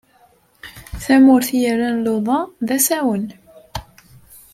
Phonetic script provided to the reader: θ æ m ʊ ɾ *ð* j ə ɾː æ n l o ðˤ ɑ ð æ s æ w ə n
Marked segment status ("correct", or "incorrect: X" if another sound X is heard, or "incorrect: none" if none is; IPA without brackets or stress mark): incorrect: θ